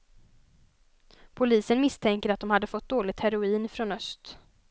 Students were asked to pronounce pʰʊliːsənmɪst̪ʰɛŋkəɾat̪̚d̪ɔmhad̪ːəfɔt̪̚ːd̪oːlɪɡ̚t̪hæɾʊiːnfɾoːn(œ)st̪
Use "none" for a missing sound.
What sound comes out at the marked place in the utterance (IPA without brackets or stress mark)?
œ